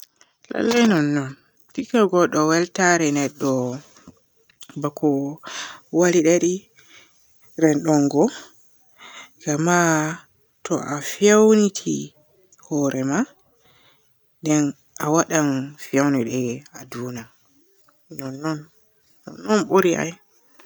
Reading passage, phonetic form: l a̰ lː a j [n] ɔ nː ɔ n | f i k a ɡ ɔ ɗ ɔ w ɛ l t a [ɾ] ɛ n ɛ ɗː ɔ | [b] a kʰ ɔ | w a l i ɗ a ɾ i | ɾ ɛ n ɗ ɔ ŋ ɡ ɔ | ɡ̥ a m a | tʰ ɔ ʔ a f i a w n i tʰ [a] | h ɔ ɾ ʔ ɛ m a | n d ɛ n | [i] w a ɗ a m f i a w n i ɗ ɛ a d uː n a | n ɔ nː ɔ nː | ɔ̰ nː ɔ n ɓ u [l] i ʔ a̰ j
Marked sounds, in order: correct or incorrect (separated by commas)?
correct, correct, correct, incorrect, incorrect, incorrect